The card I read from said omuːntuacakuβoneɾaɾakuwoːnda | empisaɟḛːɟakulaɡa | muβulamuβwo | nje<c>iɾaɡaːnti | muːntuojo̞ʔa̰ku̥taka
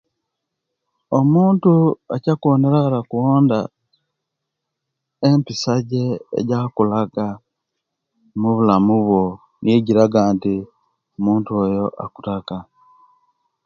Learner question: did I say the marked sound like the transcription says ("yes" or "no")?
no